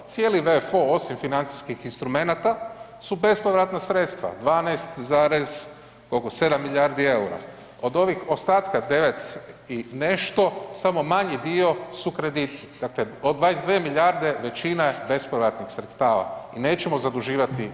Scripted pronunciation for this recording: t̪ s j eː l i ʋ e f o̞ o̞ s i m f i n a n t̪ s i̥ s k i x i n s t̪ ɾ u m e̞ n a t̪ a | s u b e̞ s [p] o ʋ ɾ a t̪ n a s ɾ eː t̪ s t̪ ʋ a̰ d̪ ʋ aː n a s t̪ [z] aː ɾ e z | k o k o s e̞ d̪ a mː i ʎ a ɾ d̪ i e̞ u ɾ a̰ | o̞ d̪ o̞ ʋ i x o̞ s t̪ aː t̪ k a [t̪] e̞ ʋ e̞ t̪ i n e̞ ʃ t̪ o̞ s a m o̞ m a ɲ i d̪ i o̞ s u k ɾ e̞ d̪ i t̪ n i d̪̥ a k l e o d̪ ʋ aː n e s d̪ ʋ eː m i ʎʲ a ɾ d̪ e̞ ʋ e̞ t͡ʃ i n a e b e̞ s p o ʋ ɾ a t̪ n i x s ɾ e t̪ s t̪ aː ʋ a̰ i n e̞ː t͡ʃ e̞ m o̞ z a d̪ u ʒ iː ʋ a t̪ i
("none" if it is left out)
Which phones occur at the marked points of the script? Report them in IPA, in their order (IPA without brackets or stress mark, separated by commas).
p, z, d̪